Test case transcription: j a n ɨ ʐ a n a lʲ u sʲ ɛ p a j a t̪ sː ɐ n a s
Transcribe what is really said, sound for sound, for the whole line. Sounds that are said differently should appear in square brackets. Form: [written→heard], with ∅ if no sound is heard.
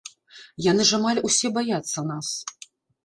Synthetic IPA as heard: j a n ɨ ʐ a [n→m] a lʲ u sʲ ɛ [p→b] a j a t̪ sː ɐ n a s

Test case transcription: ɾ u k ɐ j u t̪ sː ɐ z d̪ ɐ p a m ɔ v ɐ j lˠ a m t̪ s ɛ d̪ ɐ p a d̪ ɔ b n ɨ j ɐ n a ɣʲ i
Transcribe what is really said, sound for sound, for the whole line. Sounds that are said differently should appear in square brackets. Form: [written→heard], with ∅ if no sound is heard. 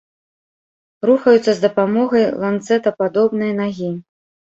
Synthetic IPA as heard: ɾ u [k→x] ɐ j u t̪ sː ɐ z d̪ ɐ p a m ɔ [v→ɣ] ɐ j lˠ a [m→n] t̪ s ɛ [d̪→t̪] ɐ p a d̪ ɔ b n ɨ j ɐ n a ɣʲ i

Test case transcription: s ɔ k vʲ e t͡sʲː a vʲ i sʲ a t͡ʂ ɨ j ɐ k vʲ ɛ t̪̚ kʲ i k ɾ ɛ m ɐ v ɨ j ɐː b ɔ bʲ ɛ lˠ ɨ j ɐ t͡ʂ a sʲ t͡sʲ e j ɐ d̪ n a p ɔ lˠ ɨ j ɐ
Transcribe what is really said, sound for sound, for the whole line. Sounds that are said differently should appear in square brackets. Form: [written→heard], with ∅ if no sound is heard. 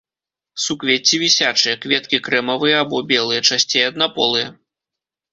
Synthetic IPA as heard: s [ɔ→u] k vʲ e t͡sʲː [a→i] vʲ i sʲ a t͡ʂ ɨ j ɐ k vʲ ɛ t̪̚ kʲ i k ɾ ɛ m ɐ v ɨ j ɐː b ɔ bʲ ɛ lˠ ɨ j ɐ t͡ʂ a sʲ t͡sʲ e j ɐ d̪ n a p ɔ lˠ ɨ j ɐ

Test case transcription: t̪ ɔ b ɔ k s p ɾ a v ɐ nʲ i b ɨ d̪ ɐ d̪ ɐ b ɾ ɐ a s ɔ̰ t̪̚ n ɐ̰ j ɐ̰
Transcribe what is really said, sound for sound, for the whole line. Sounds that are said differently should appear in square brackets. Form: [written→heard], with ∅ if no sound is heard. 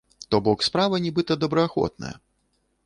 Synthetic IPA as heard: t̪ ɔ b ɔ k s p ɾ a v ɐ nʲ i b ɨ [d̪→t̪] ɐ d̪ ɐ b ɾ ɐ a [s→x] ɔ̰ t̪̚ n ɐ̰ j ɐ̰

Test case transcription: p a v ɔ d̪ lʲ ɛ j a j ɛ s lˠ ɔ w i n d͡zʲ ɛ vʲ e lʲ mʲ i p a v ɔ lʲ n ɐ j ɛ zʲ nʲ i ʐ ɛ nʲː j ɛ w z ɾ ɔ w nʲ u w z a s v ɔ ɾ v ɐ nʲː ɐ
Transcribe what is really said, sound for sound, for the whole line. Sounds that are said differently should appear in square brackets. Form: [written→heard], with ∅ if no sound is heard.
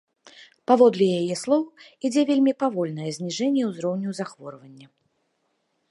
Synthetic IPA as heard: p a v ɔ d̪ lʲ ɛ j a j ɛ s lˠ ɔ w i [n→∅] d͡zʲ ɛ vʲ e lʲ mʲ i p a v ɔ lʲ n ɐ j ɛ zʲ nʲ i ʐ ɛ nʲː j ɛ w z ɾ ɔ w nʲ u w z a [s→x] v ɔ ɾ v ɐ nʲː ɐ

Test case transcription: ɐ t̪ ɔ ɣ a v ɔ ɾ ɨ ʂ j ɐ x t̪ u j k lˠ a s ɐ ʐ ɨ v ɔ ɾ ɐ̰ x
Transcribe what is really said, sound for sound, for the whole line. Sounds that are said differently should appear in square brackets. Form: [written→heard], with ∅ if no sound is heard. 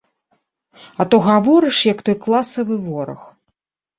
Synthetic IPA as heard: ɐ t̪ ɔ ɣ a v ɔ ɾ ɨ ʂ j ɐ [x→k] t̪ [u→ɔ] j k lˠ a s ɐ [ʐ→v] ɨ v ɔ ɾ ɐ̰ x

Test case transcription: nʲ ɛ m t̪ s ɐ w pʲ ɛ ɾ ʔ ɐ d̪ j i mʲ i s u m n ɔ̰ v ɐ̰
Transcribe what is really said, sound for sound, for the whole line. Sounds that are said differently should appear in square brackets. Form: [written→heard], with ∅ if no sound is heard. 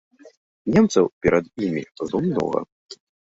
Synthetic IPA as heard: nʲ ɛ m t̪ s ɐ w pʲ ɛ ɾ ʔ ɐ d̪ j i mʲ i [s→z] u m n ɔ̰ [v→ɣ] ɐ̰

